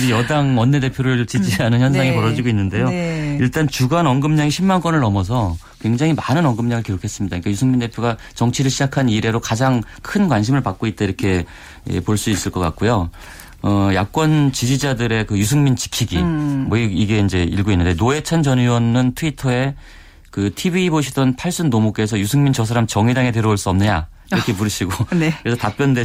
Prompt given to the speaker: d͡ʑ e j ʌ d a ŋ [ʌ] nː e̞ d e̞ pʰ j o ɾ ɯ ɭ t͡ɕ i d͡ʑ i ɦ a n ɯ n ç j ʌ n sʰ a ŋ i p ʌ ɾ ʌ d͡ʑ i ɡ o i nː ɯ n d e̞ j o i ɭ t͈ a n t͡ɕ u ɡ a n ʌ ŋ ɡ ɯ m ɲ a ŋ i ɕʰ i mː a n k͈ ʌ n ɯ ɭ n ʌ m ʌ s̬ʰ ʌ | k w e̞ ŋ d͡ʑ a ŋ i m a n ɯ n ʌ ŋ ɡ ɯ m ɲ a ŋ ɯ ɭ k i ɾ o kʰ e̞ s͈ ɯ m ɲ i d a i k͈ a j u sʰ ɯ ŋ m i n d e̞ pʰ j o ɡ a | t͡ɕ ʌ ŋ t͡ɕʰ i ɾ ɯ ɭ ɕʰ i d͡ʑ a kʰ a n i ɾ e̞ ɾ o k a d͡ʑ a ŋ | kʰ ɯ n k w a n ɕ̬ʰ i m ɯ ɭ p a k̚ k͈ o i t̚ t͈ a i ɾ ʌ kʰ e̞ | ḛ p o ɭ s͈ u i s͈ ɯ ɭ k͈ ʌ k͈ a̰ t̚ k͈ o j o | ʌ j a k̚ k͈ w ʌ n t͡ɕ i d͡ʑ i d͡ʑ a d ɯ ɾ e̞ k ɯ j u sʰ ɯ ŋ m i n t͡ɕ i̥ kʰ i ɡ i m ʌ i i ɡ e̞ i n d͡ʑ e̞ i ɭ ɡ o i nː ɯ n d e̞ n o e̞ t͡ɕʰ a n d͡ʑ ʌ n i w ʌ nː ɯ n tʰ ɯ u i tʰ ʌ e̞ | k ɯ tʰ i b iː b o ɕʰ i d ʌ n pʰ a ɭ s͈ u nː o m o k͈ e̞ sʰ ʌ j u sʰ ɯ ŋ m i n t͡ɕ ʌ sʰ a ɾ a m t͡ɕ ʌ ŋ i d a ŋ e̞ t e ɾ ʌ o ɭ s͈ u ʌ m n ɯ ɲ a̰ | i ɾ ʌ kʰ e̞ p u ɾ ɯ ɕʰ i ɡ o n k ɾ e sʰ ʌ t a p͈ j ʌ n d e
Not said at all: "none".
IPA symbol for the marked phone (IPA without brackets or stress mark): ʌ